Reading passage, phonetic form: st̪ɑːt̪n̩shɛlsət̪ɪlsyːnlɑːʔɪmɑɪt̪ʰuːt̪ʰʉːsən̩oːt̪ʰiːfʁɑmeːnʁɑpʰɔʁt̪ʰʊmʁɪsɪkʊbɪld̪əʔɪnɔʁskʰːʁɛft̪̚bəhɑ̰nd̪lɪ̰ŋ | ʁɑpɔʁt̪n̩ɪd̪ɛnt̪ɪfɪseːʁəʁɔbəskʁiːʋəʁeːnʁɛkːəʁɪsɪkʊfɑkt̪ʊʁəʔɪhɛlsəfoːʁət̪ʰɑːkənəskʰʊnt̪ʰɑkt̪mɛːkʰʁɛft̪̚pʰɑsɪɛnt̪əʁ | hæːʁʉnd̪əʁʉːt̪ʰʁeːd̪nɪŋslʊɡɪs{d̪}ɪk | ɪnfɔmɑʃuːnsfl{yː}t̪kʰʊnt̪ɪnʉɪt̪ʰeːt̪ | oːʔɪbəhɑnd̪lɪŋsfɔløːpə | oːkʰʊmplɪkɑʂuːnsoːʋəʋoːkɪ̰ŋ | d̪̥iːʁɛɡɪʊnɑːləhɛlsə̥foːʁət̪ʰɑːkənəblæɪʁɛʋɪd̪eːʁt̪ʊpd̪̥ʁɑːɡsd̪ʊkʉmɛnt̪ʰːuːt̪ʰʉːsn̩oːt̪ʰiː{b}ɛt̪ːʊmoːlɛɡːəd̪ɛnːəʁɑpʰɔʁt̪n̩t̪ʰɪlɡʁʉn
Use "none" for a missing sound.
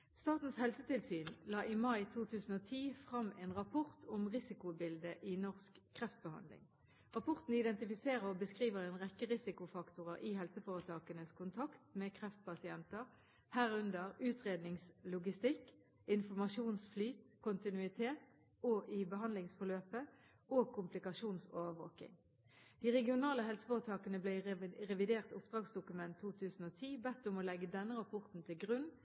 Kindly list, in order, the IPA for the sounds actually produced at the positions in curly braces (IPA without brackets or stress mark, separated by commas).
t̪, yː, b